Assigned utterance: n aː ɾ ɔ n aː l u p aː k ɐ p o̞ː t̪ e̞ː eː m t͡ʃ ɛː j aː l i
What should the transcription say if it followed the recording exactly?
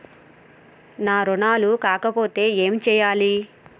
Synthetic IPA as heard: n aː ɾ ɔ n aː l u k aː k ɐ p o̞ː t̪ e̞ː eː m t͡ʃ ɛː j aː l i